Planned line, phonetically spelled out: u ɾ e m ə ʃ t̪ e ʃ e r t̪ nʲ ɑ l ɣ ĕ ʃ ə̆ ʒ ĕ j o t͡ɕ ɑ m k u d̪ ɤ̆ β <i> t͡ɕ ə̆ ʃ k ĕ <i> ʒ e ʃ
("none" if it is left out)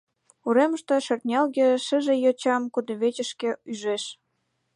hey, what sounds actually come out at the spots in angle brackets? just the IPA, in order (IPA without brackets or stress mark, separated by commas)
e, y